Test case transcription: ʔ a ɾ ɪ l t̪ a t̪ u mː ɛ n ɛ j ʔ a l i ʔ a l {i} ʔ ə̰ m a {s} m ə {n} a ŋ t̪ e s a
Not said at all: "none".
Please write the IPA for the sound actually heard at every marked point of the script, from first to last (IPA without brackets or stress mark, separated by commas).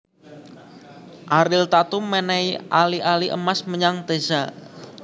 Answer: i, s, ɲ